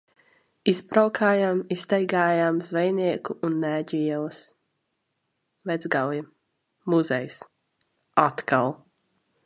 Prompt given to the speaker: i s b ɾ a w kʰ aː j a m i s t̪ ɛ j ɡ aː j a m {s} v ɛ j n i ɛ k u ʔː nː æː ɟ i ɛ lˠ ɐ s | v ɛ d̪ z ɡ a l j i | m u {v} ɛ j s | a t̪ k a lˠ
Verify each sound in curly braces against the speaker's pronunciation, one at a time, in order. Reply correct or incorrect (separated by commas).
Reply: incorrect, incorrect